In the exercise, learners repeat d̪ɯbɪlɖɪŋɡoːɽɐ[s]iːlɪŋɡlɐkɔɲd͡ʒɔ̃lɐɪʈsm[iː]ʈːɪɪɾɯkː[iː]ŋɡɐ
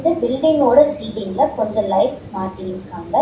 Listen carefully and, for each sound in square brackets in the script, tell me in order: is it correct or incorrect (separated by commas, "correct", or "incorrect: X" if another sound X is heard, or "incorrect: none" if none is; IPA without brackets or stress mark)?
correct, incorrect: aː, incorrect: aː